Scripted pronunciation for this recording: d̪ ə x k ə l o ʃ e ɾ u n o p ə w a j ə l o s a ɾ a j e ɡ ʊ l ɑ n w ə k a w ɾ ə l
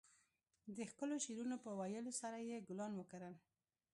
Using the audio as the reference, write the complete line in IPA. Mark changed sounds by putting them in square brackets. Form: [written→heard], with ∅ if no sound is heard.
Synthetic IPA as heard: d̪ ə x k ə l o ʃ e ɾ u n o p ə w a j ə l o s a ɾ a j e ɡ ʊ l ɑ n w ə k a [w→∅] ɾ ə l